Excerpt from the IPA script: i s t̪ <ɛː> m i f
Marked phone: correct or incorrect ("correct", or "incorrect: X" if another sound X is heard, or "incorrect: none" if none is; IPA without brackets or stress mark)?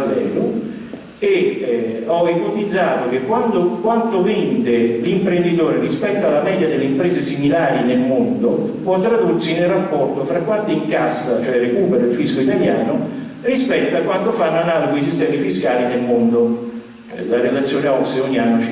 correct